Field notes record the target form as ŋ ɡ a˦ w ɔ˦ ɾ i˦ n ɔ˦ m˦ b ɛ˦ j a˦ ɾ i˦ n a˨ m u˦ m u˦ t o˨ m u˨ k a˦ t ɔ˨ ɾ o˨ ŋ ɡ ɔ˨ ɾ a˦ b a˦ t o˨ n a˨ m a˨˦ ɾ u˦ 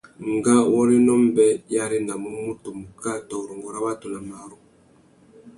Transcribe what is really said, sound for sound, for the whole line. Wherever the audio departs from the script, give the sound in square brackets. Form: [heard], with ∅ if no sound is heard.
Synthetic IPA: ŋ ɡ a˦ w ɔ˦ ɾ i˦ n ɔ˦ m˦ b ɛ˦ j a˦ ɾ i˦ n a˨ m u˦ m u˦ t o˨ m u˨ k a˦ t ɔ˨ ɾ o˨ ŋ ɡ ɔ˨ ɾ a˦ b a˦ t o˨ n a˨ m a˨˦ ɾ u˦